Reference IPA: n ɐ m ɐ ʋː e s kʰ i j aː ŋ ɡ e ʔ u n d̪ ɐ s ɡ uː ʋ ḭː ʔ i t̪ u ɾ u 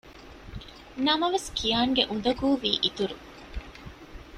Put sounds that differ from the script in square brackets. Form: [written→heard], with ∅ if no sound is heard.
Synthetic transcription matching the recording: n ɐ m ɐ [ʋː→ʋ] e s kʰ i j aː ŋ ɡ e ʔ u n d̪ ɐ [s→∅] ɡ uː ʋ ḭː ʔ i t̪ u ɾ u